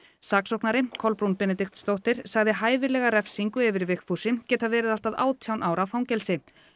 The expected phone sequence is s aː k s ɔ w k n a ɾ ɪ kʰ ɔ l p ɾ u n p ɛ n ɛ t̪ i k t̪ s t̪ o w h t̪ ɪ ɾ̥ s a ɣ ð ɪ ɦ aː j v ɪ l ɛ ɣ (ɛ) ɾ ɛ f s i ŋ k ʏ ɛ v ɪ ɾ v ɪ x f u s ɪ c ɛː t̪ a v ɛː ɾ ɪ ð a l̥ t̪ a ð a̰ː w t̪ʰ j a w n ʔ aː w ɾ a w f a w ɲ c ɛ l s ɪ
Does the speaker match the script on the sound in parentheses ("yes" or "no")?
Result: no